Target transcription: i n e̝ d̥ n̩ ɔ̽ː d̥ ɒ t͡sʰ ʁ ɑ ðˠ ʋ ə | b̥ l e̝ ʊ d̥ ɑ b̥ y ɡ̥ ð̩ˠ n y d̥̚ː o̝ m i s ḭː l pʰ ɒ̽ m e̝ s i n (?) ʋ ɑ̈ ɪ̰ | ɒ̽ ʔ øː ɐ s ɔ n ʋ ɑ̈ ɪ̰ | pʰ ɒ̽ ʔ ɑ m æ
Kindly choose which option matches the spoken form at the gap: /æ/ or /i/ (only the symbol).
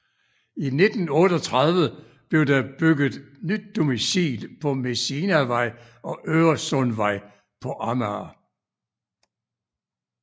æ